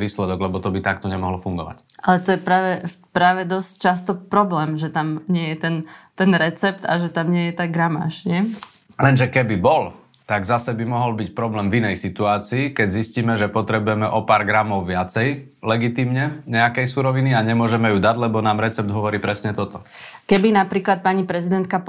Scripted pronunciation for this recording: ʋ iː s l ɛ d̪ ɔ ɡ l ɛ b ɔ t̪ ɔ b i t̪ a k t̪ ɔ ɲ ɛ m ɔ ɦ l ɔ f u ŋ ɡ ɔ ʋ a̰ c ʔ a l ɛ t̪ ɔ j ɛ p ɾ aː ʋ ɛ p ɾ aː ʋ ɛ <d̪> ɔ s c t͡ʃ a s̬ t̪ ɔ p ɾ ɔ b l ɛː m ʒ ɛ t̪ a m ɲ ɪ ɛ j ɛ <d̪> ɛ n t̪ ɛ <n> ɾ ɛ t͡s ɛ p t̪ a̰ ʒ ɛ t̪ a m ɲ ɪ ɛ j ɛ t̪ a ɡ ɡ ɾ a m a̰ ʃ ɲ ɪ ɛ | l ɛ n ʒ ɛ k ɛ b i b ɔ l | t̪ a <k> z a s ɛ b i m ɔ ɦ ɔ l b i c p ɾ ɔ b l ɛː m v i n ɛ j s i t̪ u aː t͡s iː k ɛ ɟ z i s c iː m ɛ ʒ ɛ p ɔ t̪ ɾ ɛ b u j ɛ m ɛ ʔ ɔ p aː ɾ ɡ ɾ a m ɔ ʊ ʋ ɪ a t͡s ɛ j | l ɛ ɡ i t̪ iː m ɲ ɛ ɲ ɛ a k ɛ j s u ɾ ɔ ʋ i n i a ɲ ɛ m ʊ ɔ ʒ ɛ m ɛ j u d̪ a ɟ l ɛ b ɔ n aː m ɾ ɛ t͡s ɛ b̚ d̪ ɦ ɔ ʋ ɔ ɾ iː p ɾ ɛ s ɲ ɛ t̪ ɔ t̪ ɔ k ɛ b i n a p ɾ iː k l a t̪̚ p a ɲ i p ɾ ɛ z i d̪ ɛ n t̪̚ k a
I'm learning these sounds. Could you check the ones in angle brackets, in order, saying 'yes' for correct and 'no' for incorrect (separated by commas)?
yes, no, yes, no